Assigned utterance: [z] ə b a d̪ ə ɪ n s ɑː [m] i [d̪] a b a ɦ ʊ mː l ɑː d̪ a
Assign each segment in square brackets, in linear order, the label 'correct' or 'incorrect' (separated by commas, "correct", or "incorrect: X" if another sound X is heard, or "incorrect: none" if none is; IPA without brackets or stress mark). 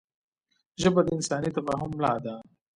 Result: incorrect: ʒ, incorrect: n, incorrect: t̪